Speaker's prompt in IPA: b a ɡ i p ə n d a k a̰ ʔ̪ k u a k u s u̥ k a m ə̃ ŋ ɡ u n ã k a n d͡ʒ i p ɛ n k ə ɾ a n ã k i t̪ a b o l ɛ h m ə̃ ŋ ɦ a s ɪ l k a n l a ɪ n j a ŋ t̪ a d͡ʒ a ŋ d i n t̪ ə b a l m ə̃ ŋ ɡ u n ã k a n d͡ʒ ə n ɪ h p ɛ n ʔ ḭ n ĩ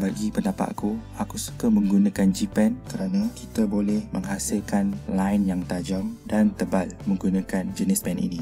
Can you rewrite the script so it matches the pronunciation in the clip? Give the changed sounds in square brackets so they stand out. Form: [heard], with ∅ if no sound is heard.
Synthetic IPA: b a ɡ i p ə n d a [p] a̰ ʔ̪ k u a k u s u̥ k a m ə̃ ŋ ɡ u n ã k a n d͡ʒ i p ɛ n k ə ɾ a n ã k i t̪ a b o l ɛ h m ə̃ ŋ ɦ a s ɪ l k a n l a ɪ n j a ŋ t̪ a d͡ʒ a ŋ d [a] n t̪ ə b a l m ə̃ ŋ ɡ u n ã k a n d͡ʒ ə n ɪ [s] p ɛ n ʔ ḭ n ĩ